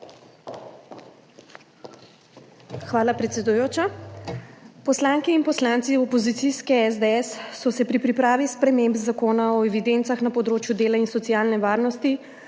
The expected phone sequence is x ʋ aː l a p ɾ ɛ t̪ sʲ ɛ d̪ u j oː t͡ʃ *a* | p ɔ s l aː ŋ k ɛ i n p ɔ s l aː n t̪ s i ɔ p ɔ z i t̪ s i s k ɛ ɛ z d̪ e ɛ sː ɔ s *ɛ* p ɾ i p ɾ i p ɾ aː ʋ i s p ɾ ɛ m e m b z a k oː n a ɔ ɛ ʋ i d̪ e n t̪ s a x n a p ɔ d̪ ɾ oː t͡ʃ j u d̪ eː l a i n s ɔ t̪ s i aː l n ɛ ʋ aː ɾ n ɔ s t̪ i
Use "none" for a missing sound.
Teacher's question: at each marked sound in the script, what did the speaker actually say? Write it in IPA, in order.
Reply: a, ɛ

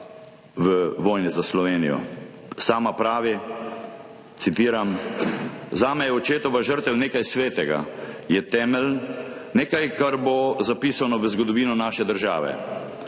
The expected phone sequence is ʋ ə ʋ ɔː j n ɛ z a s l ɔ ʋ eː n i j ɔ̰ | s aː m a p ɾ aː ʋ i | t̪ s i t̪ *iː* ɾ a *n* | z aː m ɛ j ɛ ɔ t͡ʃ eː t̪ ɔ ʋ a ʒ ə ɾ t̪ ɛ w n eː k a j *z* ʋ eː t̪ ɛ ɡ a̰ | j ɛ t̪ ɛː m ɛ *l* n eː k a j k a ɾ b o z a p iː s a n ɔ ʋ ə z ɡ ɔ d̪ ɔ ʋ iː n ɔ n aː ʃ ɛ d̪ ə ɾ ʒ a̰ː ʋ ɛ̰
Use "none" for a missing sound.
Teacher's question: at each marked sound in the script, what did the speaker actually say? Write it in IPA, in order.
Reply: iː, m, s, l

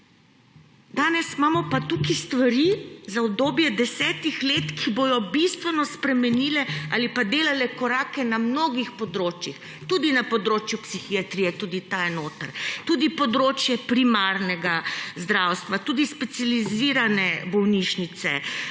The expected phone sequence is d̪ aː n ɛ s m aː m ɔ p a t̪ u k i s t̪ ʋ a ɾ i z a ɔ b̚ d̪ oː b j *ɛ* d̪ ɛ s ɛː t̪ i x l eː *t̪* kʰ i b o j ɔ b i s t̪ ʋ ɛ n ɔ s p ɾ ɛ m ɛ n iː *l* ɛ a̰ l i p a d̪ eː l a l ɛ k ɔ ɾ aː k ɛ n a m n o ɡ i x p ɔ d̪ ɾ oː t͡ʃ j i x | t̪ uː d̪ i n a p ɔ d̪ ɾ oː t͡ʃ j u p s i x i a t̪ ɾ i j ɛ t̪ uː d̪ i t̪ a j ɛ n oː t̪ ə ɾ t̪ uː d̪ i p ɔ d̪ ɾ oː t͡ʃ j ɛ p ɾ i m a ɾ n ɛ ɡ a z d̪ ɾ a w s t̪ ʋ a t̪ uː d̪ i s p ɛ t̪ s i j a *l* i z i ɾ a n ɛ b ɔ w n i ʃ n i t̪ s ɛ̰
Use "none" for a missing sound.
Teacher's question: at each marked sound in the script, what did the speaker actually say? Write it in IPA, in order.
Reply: ɛ, t̪, l, l

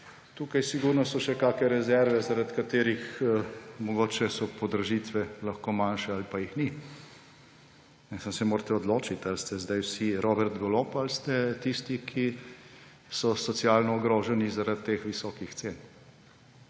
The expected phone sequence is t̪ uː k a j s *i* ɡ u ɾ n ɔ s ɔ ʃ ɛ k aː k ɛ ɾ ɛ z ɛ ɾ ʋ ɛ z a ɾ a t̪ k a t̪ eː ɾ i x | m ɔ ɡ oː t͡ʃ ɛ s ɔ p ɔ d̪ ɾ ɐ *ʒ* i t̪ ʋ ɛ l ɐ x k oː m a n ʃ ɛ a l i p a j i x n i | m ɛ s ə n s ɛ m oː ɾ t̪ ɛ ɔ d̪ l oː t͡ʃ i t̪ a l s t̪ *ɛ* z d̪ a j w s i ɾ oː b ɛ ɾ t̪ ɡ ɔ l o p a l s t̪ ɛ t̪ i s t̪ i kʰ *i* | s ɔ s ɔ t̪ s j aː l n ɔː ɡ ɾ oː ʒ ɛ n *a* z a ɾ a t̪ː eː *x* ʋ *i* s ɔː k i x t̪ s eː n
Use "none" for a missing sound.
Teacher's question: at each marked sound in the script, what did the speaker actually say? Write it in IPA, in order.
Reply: i, ʒ, ɛ, i, i, x, i

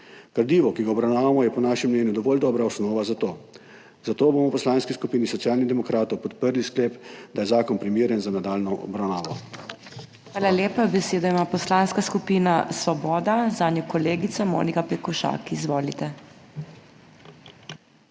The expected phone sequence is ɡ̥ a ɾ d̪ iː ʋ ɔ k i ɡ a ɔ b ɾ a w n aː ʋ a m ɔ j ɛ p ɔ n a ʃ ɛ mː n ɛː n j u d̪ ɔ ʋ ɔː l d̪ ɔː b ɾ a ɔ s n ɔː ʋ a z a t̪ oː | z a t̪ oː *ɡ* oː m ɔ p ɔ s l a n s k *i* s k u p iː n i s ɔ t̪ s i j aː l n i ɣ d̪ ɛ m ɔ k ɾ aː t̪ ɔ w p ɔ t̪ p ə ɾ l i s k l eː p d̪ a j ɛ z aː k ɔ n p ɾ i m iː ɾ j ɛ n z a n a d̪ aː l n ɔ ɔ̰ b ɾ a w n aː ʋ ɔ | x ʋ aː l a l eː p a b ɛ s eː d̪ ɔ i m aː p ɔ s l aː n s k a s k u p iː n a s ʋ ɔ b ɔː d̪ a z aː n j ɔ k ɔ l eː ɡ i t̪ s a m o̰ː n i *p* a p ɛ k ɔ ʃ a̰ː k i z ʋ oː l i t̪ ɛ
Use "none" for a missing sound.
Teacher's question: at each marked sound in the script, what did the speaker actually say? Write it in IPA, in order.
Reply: b, i, k

